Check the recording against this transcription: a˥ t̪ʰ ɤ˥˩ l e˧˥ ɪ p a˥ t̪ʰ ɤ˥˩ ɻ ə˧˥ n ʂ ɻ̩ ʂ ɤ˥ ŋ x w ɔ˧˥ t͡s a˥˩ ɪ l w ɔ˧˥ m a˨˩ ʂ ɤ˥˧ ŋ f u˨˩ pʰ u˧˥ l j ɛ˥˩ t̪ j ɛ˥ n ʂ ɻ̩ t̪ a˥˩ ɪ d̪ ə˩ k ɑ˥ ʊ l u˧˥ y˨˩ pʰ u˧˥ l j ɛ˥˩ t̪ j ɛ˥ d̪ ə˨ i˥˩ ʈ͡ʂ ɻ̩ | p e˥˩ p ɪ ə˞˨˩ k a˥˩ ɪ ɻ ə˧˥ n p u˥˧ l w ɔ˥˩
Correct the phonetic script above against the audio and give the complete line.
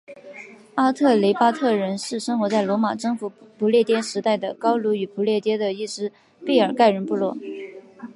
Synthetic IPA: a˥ t̪ʰ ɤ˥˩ l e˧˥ ɪ p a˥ t̪ʰ ɤ˥˩ ɻ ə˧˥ n ʂ ɻ̩ ʂ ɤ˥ ŋ x w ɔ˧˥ t͡s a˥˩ ɪ l w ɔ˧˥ m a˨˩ ʈ͡ʂ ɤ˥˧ ŋ f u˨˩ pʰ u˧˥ l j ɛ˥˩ t̪ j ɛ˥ n ʂ ɻ̩ t̪ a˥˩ ɪ d̪ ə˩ k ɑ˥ ʊ l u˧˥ y˨˩ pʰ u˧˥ l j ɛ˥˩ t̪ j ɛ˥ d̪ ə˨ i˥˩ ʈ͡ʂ ɻ̩ | p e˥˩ ɪ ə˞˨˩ k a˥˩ ɪ ɻ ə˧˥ n p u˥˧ l w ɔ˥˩